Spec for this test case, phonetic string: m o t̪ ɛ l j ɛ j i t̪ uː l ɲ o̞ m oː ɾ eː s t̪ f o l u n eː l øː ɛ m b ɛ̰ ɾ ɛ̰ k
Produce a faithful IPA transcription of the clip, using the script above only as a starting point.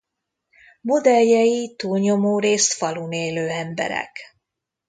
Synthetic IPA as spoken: m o d̪ ɛ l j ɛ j i t̪ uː l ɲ o̞ m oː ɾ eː s t̪ f ɒ l u n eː l øː ɛ m b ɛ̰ ɾ ɛ̰ k